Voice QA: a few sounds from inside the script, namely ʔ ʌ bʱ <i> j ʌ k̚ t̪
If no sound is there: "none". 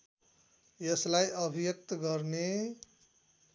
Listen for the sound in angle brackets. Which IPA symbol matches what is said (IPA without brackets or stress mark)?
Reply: i